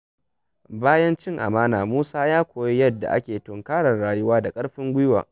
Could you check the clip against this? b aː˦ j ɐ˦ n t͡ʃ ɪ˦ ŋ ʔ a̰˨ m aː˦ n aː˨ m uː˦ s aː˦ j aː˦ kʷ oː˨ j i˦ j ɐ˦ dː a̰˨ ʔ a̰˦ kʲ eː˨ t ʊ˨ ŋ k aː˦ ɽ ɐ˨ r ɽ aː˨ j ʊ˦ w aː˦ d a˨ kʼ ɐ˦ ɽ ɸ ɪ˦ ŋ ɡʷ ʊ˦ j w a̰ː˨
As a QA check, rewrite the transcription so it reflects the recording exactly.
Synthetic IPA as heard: b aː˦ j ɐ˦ n t͡ʃ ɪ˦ ŋ ʔ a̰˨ m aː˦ n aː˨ m uː˦ s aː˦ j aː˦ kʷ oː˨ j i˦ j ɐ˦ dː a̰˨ ʔ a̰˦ kʲ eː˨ t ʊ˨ ŋ k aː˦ ɽ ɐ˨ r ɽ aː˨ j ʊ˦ w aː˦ d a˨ kʼ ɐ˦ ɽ ɸ ɪ˦ ŋ ɡʷ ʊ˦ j w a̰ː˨